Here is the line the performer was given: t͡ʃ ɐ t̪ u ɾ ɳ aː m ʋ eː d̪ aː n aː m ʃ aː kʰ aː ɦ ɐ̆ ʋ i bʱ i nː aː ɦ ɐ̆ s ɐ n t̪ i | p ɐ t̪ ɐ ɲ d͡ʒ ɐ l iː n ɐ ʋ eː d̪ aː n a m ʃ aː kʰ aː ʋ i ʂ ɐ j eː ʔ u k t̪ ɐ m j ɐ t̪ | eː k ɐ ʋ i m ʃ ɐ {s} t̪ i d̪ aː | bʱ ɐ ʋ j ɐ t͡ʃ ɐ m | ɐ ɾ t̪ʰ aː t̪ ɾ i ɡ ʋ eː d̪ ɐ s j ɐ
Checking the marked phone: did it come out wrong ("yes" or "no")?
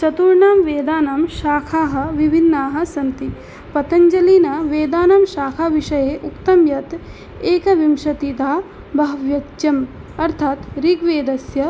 yes